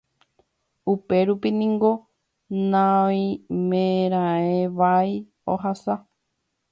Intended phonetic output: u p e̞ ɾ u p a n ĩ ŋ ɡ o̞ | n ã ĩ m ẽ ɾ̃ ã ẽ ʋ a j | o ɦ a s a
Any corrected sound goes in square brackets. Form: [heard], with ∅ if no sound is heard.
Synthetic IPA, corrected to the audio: u p e̞ ɾ u p [i] n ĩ ŋ ɡ o̞ | n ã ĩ m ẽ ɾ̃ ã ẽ ʋ a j | o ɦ a s a